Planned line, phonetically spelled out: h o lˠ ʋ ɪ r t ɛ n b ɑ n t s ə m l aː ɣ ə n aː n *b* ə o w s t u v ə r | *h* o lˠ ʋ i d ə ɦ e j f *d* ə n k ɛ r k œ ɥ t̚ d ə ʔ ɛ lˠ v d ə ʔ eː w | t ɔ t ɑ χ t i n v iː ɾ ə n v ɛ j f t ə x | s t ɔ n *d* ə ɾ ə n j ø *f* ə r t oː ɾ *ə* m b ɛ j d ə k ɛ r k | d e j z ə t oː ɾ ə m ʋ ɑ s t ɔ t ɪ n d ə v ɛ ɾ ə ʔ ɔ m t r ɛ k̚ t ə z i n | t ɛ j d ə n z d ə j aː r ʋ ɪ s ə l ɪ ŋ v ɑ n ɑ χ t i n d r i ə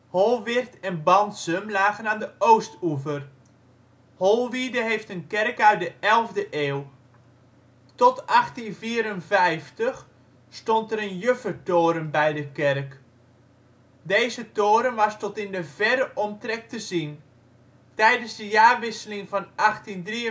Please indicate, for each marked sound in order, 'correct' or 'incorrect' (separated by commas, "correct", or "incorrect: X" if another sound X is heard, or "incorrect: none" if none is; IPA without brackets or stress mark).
incorrect: d, correct, incorrect: t, incorrect: t, correct, correct